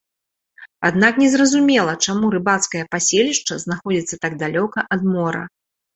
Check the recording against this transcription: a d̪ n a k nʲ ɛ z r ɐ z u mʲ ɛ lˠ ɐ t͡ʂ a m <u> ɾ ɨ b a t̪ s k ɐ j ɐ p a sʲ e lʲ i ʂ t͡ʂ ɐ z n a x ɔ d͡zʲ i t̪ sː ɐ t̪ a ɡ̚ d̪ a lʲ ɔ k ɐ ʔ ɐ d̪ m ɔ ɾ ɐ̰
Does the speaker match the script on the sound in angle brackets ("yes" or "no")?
yes